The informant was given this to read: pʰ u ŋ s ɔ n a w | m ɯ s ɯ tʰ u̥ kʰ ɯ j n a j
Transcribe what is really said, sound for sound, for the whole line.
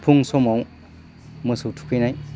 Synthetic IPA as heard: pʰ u ŋ s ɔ m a w | m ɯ s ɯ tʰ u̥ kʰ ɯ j n a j